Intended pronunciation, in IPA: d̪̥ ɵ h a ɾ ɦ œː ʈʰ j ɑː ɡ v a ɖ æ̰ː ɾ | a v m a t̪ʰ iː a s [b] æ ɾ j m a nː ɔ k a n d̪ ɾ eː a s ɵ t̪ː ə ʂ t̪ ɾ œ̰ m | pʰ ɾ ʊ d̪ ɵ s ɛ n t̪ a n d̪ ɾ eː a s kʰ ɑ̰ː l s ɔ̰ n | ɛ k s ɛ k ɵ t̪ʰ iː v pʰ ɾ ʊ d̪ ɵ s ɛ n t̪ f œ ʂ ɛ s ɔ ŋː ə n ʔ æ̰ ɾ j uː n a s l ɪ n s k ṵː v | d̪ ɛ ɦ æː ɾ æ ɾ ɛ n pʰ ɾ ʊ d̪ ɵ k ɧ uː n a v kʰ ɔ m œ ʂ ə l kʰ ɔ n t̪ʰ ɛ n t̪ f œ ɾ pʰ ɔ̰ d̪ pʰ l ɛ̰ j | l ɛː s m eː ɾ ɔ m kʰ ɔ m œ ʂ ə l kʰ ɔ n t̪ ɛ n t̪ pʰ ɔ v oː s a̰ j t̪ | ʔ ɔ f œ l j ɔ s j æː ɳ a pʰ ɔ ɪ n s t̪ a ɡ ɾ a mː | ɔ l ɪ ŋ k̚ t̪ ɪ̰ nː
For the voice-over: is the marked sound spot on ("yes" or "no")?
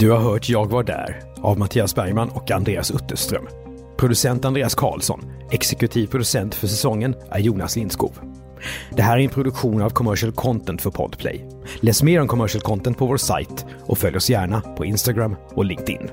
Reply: yes